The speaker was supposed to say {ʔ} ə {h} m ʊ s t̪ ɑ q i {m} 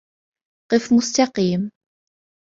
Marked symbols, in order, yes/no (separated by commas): no, no, yes